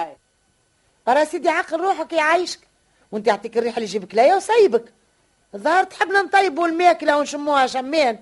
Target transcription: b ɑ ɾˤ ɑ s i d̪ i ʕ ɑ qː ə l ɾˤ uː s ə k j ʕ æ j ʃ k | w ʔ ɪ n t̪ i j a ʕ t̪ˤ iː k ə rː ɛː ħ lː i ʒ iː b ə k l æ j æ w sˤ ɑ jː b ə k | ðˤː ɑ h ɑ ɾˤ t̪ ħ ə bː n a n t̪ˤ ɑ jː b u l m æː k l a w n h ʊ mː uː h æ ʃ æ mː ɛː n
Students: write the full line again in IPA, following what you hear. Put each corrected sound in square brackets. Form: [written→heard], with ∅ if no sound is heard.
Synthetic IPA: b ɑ ɾˤ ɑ s i d̪ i ʕ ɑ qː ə l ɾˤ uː [s→ħ] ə k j ʕ [æ→a] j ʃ k | w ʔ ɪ n t̪ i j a ʕ t̪ˤ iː k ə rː [ɛː→iː] ħ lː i ʒ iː b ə k l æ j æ w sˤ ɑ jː b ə k | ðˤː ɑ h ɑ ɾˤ t̪ ħ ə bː n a n t̪ˤ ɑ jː b u l m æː k l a w n [h→ʃ] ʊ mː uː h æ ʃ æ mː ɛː n